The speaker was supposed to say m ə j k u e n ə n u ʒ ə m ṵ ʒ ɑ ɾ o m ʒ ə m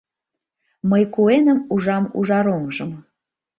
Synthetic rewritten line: m ə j k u e n ə m u ʒ ɑ m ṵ ʒ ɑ ɾ o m ʒ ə m